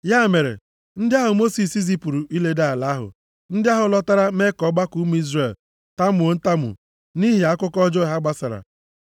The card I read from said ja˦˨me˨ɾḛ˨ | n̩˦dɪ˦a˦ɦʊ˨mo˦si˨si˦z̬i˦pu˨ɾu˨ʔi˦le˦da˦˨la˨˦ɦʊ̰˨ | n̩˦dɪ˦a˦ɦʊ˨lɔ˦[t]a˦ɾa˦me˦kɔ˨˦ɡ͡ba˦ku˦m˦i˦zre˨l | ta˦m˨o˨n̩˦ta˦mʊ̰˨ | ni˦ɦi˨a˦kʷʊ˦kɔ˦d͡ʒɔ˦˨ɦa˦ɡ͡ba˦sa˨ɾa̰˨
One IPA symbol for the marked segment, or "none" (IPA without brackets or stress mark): t